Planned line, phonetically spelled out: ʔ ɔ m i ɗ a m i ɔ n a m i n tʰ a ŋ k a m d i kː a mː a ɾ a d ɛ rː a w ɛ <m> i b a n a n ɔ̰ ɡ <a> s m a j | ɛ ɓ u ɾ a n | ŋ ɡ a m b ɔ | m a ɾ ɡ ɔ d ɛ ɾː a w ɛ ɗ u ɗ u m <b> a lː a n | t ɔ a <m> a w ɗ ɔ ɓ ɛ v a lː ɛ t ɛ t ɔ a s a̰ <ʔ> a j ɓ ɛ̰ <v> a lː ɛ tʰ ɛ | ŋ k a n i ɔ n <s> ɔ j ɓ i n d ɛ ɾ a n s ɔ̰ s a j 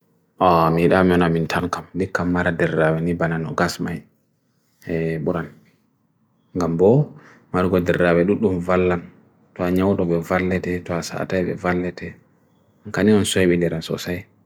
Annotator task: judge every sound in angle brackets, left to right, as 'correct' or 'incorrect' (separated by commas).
incorrect, correct, incorrect, incorrect, incorrect, correct, correct